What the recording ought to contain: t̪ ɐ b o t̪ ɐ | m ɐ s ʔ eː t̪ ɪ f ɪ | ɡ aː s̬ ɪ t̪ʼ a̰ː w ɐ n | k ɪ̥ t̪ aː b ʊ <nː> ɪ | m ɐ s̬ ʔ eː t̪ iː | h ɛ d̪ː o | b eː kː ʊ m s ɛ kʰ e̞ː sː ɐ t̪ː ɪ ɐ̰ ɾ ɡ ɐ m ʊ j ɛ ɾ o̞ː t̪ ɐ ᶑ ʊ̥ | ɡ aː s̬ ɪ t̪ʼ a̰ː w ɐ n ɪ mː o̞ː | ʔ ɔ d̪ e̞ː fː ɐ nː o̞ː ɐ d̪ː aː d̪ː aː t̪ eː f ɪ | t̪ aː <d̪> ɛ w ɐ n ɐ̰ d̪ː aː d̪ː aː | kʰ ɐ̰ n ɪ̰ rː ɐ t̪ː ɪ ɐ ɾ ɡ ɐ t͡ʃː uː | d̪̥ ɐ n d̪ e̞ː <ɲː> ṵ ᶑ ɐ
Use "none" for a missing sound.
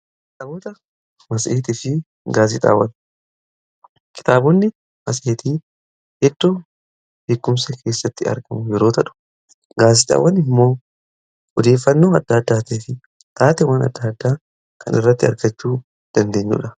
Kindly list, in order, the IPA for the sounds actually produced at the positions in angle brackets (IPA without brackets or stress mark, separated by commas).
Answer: nː, t̪, ɲː